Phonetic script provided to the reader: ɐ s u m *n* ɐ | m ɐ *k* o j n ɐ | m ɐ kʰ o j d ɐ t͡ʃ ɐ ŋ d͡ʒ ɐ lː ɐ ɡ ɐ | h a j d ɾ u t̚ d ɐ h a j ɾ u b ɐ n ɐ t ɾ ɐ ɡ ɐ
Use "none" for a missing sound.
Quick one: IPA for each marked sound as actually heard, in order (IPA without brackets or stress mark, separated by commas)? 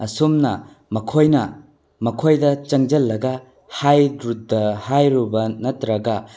n, kʰ